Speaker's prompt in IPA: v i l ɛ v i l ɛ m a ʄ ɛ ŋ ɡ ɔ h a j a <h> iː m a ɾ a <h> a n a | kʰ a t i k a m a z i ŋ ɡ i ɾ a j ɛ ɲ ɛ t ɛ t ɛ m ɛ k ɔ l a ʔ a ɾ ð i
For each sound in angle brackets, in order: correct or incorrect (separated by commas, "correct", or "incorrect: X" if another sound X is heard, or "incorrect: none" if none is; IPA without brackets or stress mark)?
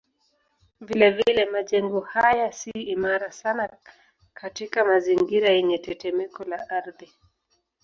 incorrect: s, incorrect: s